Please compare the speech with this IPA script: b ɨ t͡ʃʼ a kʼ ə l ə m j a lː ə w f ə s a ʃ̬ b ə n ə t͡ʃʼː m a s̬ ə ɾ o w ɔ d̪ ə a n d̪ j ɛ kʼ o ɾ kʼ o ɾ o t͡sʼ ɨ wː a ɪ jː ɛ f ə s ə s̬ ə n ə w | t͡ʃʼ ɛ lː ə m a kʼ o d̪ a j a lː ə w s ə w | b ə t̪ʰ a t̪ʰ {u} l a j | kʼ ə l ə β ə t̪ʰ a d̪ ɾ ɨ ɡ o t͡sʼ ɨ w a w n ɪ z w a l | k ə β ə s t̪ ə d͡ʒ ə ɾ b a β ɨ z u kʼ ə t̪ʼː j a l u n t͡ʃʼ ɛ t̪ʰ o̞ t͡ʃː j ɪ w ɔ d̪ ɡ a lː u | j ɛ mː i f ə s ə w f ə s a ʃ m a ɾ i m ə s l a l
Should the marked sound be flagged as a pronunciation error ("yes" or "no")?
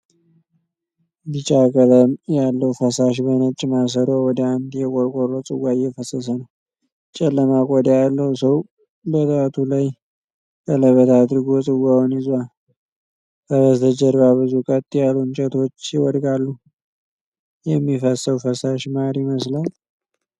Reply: no